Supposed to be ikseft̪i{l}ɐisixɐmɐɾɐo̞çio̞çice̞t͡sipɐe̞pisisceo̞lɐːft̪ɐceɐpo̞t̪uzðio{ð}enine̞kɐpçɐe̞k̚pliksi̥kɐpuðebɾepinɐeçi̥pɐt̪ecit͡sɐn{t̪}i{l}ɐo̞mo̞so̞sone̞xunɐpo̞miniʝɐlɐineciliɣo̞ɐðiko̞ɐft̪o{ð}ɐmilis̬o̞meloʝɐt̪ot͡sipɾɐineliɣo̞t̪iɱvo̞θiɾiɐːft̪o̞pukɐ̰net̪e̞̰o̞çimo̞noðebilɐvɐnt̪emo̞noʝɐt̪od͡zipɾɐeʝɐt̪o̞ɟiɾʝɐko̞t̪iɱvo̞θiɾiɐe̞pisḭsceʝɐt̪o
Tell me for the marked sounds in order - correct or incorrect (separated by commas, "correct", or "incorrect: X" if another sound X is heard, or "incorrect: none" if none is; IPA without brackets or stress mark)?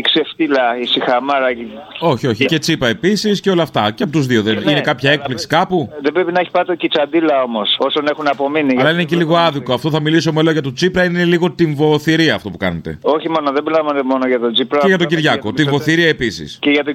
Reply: correct, correct, incorrect: d̪, correct, incorrect: θ